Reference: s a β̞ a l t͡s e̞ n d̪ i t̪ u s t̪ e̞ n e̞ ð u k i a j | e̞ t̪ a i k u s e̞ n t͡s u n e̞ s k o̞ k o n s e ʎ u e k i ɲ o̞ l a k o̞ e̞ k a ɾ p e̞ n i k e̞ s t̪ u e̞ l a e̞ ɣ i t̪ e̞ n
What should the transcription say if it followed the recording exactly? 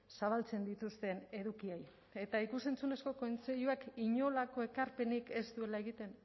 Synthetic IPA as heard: s a β̞ a l t͡s e̞ n d̪ i t̪ u s t̪ e̞ n e̞ ð u k i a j | e̞ t̪ a i k u s e̞ n t͡s u n e̞ s k o̞ k o n t͡s e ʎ u a k i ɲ o̞ l a k o̞ e̞ k a ɾ p e̞ n i k e̞ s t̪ u e̞ l a e̞ ɣ i t̪ e̞ n